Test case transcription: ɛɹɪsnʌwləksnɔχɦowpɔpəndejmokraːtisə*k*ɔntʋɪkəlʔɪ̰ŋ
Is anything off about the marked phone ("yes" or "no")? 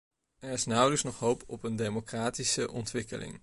yes